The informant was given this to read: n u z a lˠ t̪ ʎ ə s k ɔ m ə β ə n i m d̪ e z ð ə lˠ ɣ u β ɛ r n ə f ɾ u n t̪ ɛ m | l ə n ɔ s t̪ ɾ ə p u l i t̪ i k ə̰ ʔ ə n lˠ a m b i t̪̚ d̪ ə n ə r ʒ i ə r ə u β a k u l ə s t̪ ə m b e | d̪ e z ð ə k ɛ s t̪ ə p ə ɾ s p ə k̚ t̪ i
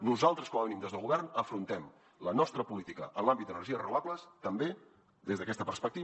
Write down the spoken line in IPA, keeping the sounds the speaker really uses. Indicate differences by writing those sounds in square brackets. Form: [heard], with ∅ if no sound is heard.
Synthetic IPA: n u z a lˠ t̪ [ɾ] ə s k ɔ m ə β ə n i m d̪ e z ð ə lˠ ɣ u β ɛ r n ə f ɾ u n t̪ ɛ m | l ə n ɔ s t̪ ɾ ə p u l i t̪ i k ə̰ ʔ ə n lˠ a m b i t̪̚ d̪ ə n ə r ʒ i ə r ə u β a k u l ə s t̪ ə m b e | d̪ e z ð ə k ɛ s t̪ ə p ə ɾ s p ə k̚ t̪ i